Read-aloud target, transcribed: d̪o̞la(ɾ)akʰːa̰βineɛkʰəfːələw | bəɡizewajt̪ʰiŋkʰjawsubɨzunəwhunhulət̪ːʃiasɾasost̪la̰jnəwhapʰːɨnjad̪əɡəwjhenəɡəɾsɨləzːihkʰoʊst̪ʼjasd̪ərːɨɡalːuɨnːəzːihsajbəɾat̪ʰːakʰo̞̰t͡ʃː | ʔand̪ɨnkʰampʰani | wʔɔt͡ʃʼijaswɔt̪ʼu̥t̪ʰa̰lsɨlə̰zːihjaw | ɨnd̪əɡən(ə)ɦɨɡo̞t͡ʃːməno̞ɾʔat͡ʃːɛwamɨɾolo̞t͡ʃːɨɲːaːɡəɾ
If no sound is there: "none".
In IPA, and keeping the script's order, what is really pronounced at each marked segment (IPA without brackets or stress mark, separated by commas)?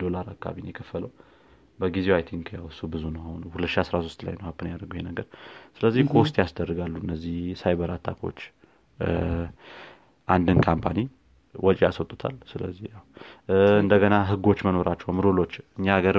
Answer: ɾ, a